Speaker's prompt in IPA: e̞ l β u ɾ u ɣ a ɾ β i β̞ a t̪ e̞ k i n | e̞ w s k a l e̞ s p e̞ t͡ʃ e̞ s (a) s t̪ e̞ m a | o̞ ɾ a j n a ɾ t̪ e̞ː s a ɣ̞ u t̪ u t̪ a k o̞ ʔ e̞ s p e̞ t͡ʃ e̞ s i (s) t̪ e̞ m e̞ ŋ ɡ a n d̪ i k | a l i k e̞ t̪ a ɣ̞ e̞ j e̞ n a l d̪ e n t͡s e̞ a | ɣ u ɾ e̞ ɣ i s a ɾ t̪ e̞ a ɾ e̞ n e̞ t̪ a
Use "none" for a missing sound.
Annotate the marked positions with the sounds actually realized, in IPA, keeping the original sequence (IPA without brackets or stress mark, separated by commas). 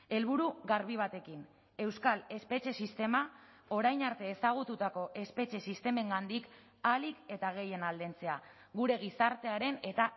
i, s